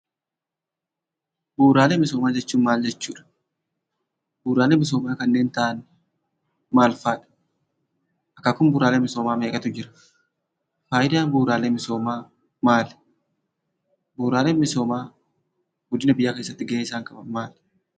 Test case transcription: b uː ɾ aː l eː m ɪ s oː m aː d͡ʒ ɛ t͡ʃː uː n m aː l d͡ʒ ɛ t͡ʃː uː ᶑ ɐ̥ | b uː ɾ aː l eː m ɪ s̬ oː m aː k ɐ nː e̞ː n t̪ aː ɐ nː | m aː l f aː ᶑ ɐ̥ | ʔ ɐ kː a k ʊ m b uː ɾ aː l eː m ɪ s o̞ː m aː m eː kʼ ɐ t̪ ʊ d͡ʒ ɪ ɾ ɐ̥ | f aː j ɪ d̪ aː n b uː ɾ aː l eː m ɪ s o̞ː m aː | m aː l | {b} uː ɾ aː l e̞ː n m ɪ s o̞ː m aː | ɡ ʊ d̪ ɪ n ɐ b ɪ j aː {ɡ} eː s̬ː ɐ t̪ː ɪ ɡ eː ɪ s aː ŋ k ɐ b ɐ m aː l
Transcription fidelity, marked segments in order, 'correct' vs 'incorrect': correct, incorrect: k

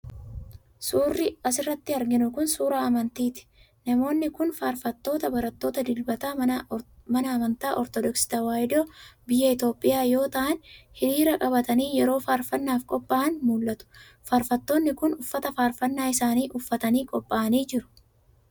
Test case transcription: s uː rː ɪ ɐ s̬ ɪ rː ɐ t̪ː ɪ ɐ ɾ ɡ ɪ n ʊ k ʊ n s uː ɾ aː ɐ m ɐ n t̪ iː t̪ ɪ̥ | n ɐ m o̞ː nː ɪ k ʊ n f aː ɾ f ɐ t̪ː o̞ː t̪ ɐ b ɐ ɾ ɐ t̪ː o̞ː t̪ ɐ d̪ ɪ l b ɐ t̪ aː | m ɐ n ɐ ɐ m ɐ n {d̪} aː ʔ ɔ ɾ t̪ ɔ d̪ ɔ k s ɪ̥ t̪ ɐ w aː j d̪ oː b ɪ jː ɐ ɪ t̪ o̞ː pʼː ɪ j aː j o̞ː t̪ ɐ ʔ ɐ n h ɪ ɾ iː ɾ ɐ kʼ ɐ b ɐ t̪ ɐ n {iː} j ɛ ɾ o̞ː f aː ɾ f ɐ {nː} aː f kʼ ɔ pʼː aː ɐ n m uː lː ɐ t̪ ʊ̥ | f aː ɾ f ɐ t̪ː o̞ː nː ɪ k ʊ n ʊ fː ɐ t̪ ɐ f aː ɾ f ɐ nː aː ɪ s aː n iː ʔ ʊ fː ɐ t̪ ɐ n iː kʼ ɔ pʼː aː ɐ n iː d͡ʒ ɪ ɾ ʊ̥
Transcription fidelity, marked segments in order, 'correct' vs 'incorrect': incorrect: t̪, correct, correct

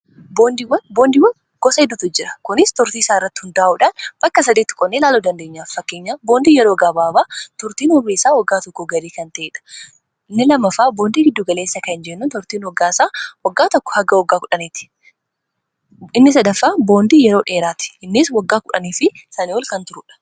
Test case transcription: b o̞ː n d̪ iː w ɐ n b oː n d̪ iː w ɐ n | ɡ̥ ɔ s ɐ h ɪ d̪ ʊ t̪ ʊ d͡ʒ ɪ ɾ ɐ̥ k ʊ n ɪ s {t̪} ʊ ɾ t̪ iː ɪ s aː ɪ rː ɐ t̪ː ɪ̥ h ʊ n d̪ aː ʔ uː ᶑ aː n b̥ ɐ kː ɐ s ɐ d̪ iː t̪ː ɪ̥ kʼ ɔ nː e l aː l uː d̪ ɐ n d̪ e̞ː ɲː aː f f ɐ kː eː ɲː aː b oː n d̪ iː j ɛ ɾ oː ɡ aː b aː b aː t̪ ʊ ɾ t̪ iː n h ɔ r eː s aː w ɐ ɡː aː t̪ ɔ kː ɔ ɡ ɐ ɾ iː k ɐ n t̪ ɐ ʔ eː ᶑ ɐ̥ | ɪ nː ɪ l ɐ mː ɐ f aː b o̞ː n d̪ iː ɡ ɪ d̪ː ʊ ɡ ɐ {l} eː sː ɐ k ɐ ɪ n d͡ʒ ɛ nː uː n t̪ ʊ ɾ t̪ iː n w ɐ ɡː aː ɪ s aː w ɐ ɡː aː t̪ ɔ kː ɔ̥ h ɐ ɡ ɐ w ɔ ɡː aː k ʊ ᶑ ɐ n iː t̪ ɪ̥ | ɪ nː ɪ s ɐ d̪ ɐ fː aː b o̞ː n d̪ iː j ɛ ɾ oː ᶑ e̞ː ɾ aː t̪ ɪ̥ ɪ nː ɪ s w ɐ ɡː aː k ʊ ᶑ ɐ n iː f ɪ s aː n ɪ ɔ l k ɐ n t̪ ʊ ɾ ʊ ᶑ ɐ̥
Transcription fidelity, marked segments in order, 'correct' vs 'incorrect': correct, correct

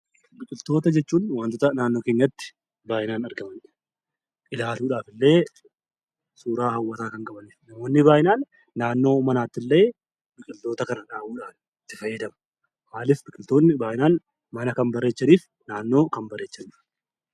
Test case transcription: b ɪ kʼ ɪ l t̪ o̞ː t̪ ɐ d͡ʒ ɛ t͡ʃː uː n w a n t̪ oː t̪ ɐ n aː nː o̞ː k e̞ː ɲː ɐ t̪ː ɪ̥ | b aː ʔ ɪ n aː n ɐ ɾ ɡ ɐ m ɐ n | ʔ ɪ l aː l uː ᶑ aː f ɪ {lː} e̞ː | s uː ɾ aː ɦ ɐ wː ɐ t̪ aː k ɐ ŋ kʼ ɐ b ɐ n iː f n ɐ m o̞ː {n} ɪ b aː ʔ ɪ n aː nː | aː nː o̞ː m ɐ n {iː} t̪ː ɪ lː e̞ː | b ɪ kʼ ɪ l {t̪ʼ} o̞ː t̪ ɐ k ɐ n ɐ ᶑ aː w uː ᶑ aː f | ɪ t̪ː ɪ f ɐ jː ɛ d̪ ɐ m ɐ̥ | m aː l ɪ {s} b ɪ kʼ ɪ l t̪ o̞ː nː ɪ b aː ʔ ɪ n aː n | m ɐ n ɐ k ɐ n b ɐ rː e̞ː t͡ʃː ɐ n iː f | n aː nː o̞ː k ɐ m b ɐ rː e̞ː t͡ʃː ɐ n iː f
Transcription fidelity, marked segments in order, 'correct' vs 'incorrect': correct, incorrect: nː, incorrect: aː, incorrect: t̪, incorrect: f

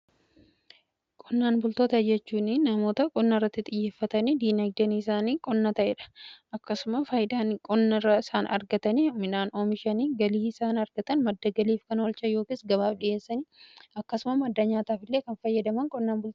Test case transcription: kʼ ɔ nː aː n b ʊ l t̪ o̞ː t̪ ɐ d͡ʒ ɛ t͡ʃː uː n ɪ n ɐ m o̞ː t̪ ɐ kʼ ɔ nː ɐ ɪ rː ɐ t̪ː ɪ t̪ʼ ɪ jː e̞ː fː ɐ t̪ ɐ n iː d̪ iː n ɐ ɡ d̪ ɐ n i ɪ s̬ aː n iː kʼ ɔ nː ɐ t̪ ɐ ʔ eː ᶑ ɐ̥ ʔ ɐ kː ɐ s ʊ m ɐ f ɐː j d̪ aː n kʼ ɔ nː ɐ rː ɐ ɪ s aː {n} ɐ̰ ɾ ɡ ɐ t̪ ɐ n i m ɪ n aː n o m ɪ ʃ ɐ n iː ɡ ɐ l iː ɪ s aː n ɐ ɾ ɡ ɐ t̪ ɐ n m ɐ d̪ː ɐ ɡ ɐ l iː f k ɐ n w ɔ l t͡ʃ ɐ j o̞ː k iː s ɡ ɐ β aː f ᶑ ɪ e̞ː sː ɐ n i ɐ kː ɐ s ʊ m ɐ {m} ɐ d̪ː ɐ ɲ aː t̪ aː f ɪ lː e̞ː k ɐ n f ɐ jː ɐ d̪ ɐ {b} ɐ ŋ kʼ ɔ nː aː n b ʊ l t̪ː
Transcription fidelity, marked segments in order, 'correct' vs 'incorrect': correct, correct, incorrect: m

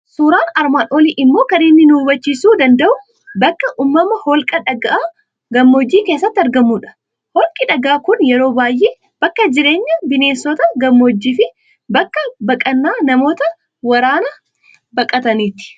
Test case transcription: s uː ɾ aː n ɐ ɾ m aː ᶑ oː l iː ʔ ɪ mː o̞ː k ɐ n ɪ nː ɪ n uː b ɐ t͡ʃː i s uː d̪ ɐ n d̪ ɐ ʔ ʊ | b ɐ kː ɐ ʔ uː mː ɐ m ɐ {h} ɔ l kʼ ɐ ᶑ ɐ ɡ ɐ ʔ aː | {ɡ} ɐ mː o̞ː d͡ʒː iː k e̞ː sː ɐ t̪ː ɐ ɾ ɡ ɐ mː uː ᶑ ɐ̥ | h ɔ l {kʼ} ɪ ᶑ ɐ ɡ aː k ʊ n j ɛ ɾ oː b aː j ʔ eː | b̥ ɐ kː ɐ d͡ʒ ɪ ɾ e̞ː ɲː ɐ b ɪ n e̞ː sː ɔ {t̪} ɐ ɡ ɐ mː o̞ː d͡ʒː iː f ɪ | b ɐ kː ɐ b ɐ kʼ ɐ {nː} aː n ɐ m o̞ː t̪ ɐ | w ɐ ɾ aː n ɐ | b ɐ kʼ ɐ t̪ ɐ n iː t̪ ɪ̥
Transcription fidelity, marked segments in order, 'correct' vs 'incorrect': correct, correct, correct, correct, correct

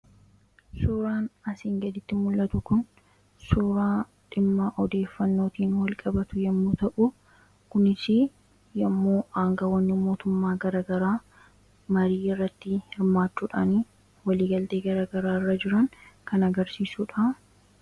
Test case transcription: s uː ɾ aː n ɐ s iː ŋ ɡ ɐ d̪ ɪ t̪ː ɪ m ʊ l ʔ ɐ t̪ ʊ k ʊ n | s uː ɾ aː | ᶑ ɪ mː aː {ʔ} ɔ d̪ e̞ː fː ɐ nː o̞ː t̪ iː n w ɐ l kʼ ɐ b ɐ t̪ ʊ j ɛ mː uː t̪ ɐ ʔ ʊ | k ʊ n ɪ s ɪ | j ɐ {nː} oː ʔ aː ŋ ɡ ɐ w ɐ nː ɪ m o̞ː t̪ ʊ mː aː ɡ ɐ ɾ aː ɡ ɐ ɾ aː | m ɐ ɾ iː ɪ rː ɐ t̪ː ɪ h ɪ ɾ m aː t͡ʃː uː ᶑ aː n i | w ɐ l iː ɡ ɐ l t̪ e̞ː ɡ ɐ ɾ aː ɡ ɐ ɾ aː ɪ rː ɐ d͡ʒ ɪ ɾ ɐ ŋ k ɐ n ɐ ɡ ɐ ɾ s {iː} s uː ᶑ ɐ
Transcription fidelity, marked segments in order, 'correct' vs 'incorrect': correct, incorrect: mː, correct

